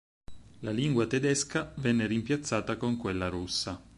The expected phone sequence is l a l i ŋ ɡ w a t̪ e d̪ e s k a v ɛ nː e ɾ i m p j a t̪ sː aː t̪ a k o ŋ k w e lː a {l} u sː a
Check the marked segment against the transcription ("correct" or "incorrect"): incorrect